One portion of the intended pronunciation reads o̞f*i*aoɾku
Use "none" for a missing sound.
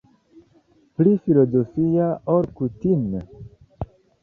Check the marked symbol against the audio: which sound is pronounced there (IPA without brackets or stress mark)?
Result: i